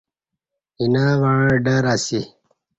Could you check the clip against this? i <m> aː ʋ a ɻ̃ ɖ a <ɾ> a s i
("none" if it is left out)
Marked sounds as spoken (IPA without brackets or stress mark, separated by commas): n, ɾ